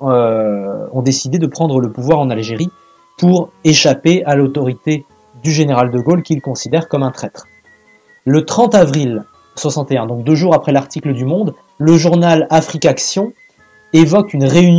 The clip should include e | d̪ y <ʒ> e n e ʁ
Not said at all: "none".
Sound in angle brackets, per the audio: ʒ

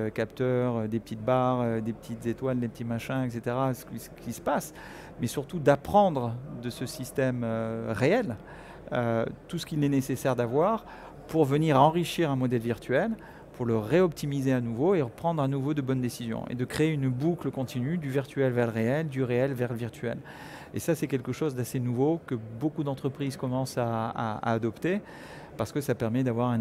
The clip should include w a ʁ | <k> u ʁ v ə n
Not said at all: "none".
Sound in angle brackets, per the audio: p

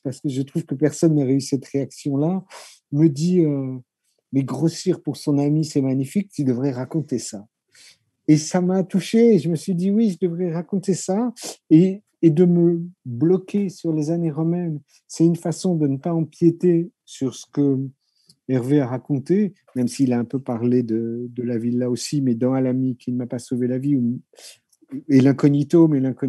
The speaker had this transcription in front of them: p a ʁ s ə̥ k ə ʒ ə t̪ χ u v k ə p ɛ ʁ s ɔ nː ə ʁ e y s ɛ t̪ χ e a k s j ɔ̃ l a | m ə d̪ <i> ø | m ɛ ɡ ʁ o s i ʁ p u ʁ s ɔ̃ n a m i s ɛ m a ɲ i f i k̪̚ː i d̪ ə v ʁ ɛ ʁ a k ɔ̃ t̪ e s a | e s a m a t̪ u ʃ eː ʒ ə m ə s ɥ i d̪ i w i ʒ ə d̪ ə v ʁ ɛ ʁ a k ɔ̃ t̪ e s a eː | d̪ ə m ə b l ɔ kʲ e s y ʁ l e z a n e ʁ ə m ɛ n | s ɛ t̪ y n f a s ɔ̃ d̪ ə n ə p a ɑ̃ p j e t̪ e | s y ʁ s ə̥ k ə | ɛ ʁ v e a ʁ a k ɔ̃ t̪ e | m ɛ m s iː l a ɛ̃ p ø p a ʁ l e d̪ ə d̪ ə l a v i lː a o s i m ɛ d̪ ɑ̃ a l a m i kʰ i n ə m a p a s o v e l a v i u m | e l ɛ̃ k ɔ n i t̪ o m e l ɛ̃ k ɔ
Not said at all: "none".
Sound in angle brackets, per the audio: i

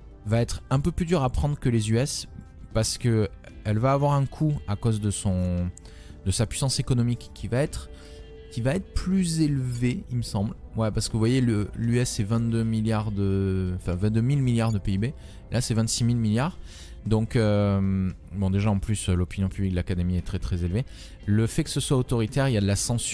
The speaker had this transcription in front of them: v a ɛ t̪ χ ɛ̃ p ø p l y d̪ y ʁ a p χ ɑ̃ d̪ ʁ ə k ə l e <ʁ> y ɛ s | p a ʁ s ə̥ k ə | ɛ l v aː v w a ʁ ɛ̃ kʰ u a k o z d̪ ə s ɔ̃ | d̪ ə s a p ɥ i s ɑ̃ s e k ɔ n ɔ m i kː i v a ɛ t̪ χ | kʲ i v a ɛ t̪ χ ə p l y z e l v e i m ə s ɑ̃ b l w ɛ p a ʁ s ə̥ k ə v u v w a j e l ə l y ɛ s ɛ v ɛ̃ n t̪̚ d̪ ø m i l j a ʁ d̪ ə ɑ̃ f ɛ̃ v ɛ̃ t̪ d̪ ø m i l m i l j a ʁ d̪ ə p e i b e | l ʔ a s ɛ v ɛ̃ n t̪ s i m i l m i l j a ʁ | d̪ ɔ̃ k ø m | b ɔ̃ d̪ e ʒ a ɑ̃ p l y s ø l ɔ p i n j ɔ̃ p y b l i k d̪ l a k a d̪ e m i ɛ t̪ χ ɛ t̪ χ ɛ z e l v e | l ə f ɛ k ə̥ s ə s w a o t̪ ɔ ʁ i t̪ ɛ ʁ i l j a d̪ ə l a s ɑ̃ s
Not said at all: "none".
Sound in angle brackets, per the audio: z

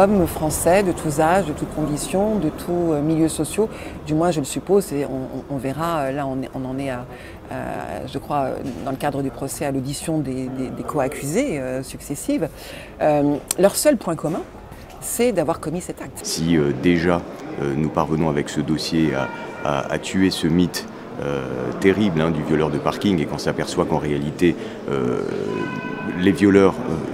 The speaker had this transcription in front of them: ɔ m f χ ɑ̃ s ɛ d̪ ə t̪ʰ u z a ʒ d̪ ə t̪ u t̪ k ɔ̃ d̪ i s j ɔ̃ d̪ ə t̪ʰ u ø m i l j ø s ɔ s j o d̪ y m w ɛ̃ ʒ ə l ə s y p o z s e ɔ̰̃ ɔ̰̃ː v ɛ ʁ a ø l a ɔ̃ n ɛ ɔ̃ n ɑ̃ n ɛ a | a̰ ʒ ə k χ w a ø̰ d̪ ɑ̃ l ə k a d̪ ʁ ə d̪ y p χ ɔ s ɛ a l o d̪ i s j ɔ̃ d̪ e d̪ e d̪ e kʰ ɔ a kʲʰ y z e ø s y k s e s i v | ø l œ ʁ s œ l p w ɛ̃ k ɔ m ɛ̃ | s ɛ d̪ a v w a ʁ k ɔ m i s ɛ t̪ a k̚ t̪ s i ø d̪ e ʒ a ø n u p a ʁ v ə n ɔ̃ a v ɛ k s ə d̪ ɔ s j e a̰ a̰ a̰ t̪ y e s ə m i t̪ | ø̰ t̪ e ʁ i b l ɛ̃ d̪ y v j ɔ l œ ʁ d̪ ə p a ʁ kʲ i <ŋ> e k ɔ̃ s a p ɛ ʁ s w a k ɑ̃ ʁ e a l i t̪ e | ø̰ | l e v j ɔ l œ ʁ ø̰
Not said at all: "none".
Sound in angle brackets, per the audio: ŋ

